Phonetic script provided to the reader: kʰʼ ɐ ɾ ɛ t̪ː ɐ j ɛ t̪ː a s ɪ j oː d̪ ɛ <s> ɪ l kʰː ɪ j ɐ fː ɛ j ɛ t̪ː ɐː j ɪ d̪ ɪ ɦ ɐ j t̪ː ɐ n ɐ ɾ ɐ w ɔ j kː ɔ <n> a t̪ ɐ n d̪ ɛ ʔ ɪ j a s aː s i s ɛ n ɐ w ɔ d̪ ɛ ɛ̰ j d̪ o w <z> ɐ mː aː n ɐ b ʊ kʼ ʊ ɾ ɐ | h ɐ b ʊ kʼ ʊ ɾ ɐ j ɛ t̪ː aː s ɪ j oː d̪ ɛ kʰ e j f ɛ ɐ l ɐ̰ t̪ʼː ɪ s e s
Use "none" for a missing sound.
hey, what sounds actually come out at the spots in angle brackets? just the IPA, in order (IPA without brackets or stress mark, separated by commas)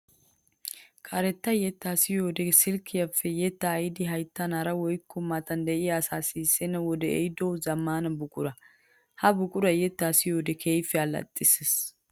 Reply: s, m, z